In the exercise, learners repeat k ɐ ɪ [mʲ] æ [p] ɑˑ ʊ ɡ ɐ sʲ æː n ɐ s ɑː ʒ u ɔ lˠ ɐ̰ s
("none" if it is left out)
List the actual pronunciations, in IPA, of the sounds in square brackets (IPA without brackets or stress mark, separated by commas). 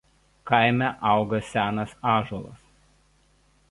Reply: mʲ, ʔ